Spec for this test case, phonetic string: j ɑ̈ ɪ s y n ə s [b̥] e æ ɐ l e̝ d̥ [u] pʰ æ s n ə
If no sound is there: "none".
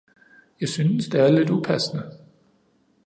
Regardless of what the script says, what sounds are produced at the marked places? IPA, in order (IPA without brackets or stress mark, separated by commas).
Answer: d̥, u